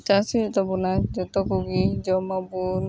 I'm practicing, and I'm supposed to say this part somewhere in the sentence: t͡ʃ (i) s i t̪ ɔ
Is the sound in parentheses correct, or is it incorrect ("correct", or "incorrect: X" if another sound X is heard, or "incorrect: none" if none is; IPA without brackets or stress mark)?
incorrect: a